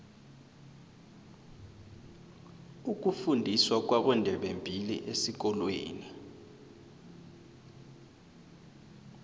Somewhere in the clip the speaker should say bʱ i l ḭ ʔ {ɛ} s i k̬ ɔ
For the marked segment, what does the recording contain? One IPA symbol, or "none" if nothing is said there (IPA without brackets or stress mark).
e